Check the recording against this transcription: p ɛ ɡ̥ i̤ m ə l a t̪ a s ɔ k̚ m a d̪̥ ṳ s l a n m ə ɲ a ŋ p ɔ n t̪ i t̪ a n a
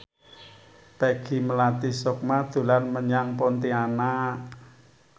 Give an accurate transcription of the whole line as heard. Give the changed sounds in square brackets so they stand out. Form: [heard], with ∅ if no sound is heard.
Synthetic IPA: p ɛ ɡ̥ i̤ m ə l a t̪ [i] s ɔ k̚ m a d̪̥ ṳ [∅] l a n m ə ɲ a ŋ p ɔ n t̪ i [∅] a n a